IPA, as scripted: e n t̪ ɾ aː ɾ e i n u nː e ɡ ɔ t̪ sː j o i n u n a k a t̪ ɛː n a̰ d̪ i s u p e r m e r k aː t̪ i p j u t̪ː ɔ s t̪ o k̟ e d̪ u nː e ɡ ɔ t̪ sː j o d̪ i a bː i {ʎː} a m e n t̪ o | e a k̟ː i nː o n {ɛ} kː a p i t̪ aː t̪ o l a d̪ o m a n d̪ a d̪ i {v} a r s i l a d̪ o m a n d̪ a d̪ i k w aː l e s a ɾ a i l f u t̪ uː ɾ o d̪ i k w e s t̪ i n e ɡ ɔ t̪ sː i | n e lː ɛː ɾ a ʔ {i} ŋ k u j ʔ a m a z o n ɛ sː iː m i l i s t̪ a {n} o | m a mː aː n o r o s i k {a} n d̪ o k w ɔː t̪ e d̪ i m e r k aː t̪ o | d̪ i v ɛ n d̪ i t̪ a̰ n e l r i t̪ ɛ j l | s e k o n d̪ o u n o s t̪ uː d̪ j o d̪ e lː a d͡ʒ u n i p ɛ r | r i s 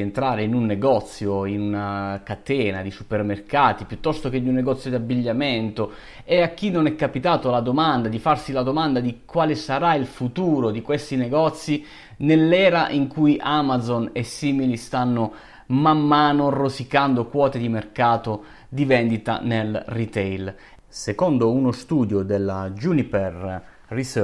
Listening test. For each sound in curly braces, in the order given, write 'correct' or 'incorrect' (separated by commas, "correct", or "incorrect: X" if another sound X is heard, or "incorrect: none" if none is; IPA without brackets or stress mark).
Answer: correct, correct, incorrect: f, correct, incorrect: nː, correct